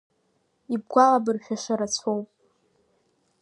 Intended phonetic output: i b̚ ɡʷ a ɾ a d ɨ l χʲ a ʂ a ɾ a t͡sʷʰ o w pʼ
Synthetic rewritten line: i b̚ ɡʷ a l a b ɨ r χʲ a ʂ a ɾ a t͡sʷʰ o w pʼ